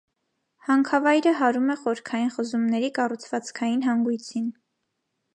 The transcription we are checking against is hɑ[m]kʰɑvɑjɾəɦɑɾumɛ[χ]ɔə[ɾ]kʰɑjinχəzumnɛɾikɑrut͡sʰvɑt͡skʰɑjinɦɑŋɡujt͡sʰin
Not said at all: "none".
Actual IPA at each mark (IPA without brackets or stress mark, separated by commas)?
ŋ, χ, ɾ